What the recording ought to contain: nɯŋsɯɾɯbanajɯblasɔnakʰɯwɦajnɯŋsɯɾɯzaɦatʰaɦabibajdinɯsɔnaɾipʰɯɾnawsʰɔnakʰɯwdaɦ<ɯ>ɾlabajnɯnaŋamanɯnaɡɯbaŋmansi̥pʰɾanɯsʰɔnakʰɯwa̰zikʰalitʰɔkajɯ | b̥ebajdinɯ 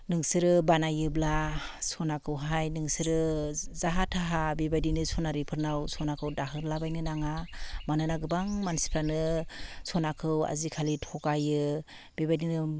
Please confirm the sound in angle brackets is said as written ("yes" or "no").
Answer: yes